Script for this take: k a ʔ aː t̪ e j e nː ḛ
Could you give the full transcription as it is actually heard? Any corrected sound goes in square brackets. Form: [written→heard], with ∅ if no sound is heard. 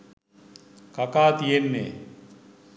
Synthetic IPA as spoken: k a [ʔ→k] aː t̪ [e→i] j e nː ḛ